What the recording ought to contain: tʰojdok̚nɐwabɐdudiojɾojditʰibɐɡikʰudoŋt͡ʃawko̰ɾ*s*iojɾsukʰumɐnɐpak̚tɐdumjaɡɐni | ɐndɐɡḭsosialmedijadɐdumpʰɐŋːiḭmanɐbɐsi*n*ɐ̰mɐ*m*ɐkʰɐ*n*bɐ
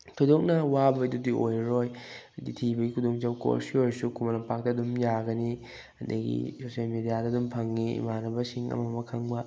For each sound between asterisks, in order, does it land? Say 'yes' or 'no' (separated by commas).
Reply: yes, no, yes, no